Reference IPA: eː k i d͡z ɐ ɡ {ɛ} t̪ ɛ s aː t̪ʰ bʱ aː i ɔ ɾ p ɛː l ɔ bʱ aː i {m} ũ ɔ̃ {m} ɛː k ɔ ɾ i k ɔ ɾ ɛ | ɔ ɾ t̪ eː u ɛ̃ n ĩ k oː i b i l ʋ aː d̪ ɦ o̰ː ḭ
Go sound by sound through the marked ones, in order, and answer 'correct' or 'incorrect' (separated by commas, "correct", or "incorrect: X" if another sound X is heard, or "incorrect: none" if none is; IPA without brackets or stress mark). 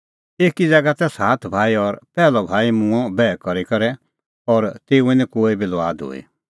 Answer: incorrect: a, correct, incorrect: b